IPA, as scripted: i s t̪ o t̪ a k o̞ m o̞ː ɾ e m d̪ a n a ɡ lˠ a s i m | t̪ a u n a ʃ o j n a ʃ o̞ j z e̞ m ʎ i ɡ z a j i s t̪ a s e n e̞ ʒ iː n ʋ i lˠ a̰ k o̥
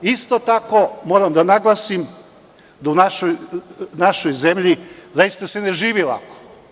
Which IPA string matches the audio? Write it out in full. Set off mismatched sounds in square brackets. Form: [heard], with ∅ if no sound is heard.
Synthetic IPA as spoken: i s t̪ o t̪ a k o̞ m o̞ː ɾ [a] m d̪ a n a ɡ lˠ a s i m | [d̪] a u n a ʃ o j n a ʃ o̞ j z e̞ m ʎ i [∅] z a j i s t̪ a s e n e̞ ʒ iː [∅] ʋ i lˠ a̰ k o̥